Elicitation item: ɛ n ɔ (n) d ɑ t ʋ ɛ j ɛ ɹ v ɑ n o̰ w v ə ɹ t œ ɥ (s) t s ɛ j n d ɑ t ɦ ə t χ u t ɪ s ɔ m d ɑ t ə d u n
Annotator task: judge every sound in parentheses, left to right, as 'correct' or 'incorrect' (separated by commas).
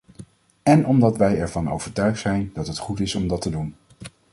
incorrect, incorrect